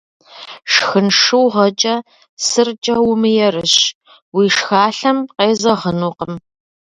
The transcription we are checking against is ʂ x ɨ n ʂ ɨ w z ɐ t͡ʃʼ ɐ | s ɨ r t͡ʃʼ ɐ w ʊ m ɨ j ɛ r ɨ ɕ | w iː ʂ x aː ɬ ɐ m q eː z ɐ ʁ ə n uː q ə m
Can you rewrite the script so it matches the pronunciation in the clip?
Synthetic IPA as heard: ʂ x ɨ n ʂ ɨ w ʁ ɐ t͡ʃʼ ɐ | s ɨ r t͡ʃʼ ɐ w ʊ m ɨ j ɛ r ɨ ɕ | w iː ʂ x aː ɬ ɐ m q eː z ɐ ʁ ə n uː q ə m